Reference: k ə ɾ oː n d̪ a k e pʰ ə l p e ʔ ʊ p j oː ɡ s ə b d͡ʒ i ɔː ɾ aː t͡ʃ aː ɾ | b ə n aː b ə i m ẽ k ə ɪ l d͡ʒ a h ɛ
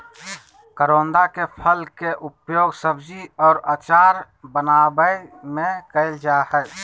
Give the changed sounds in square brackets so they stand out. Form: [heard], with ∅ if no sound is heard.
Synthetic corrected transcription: k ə ɾ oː n d̪ a k e pʰ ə l [k] e ʔ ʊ p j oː ɡ s ə b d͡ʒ i ɔː ɾ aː t͡ʃ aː ɾ | b ə n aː b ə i m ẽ k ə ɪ l d͡ʒ a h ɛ